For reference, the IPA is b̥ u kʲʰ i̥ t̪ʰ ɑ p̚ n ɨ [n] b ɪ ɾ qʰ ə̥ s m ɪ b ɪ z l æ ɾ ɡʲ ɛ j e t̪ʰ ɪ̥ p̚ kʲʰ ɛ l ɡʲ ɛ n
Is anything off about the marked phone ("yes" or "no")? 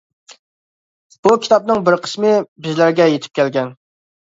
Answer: yes